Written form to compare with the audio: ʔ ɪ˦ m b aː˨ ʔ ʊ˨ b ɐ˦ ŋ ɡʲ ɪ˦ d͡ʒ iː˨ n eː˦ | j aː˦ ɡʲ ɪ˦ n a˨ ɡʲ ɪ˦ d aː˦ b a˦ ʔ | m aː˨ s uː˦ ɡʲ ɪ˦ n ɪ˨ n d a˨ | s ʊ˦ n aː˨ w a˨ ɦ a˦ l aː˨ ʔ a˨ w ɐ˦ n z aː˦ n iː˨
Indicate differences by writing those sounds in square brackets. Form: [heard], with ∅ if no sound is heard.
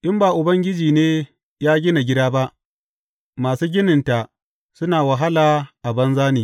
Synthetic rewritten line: ʔ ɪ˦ m b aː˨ ʔ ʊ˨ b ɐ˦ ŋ ɡʲ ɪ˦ d͡ʒ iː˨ n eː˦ | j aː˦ ɡʲ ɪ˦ n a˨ ɡʲ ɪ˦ d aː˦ b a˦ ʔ | m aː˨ s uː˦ ɡʲ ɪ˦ n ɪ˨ n [t] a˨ | s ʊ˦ n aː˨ w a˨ ɦ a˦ l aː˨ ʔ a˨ [b] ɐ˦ n z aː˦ n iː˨